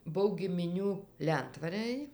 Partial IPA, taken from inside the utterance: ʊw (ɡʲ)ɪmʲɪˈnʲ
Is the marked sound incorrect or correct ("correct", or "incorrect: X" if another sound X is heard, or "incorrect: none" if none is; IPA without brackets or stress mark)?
correct